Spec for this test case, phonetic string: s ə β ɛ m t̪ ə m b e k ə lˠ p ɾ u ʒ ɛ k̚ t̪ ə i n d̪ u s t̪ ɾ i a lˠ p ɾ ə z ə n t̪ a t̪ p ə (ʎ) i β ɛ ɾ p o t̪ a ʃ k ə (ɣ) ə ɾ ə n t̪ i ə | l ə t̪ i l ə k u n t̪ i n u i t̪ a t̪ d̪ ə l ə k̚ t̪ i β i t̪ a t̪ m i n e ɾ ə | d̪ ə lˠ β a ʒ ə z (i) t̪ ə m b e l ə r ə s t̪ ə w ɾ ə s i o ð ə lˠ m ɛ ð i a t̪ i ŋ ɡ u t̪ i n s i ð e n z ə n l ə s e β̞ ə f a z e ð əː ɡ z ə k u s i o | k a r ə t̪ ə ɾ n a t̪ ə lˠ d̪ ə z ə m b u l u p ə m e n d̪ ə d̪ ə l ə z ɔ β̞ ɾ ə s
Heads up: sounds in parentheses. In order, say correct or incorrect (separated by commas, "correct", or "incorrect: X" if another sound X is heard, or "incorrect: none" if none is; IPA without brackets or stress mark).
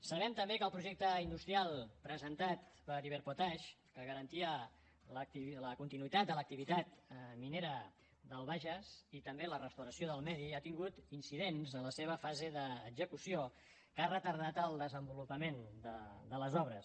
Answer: incorrect: ɾ, correct, correct